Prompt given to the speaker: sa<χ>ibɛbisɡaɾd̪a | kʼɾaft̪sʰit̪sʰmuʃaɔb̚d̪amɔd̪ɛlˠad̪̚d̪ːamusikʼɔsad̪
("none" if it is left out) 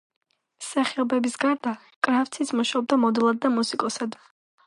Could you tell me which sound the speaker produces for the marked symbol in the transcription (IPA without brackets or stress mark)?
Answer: χ